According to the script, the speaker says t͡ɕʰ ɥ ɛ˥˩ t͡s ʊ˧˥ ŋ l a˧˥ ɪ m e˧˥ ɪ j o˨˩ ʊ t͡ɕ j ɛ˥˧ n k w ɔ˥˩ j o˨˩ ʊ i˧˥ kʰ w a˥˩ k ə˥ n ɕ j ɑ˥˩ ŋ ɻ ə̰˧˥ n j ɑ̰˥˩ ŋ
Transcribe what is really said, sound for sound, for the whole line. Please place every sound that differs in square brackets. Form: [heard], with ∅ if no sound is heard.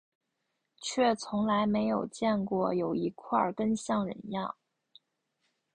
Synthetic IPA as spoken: t͡ɕʰ ɥ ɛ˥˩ [t͡sʰ] ʊ˧˥ ŋ l a˧˥ ɪ m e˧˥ ɪ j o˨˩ ʊ t͡ɕ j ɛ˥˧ n k w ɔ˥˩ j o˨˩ ʊ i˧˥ kʰ w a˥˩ k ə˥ n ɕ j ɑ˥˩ ŋ ɻ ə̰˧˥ n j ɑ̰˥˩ ŋ